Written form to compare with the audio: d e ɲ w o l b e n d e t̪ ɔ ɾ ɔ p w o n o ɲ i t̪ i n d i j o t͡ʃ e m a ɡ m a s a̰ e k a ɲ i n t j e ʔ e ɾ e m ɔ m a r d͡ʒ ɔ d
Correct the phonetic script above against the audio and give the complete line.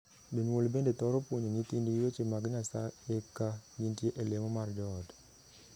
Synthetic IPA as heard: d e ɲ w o l b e n d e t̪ ɔ ɾ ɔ p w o ɲ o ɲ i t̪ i n d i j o t͡ʃ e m a ɡ ɲ a s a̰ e k a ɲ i n t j e ʔ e l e m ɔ m a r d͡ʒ ɔ d